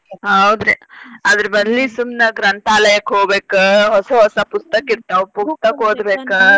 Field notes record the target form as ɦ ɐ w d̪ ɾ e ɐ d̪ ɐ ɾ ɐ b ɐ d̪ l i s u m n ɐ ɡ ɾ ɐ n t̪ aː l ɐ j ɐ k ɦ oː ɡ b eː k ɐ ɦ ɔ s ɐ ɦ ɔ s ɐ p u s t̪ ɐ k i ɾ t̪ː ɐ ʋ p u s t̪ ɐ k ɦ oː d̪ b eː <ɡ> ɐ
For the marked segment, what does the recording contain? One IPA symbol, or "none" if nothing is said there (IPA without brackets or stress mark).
k